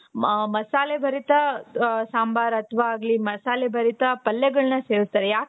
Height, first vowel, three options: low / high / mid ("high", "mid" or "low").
low